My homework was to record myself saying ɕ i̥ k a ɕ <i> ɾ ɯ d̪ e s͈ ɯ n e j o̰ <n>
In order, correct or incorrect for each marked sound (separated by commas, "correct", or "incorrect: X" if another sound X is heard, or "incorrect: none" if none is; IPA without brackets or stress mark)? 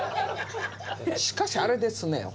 incorrect: a, incorrect: none